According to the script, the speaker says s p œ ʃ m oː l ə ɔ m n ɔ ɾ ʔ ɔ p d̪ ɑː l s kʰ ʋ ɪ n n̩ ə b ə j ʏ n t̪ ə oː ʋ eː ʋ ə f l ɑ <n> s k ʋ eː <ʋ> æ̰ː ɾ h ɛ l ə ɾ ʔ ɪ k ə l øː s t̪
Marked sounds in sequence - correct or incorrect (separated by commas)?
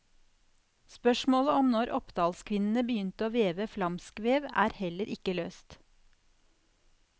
incorrect, correct